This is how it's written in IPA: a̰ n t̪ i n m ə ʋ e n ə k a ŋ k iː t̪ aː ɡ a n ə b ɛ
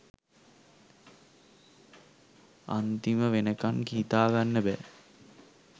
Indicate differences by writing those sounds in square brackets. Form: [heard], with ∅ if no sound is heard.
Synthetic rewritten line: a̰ n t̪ i [∅] m ə ʋ e n ə k a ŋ k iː t̪ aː ɡ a [nː] ə b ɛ